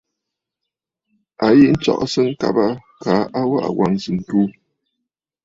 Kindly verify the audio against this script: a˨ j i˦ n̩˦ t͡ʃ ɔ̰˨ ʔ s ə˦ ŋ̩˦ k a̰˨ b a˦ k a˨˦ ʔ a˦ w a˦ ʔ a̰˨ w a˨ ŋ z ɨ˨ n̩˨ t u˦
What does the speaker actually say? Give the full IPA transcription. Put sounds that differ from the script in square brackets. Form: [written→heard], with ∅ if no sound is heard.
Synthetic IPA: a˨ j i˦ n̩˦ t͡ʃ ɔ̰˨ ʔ s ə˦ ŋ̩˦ k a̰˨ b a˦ k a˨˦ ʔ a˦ w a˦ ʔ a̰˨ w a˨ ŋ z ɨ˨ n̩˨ t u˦